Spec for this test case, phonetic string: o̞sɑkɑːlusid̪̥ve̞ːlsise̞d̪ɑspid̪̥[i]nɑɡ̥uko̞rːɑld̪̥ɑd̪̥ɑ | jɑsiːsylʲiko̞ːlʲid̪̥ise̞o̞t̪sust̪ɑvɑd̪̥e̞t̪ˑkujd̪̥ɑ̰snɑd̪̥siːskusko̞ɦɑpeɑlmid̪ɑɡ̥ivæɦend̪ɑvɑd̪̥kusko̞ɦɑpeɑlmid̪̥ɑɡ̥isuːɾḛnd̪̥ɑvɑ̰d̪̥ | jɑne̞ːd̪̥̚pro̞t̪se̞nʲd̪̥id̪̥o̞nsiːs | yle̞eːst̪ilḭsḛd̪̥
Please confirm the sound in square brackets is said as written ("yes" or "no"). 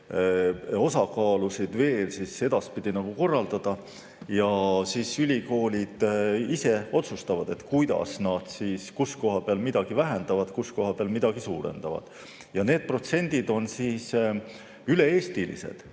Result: yes